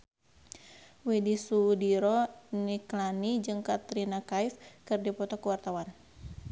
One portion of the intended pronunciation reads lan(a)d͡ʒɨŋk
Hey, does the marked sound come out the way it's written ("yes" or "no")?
no